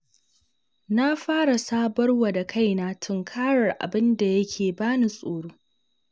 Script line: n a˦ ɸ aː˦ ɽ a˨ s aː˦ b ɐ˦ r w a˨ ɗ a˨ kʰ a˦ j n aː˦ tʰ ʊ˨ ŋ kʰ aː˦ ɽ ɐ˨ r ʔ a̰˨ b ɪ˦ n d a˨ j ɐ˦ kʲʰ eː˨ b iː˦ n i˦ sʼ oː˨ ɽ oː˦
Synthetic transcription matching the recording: n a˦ ɸ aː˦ ɽ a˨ s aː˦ b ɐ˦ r w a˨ d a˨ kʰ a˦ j n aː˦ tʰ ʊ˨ ŋ kʰ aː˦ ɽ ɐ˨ r ʔ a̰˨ b ɪ˦ n d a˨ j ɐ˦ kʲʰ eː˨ b aː˦ n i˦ sʼ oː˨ ɽ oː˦